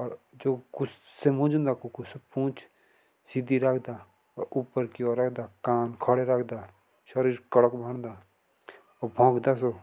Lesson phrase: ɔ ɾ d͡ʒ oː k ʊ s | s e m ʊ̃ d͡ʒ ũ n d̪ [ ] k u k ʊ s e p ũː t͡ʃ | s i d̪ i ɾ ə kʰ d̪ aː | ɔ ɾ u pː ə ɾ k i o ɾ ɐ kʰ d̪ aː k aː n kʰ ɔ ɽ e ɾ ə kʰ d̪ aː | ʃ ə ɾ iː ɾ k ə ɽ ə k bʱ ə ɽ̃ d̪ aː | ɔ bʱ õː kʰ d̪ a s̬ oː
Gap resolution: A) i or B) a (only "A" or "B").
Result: B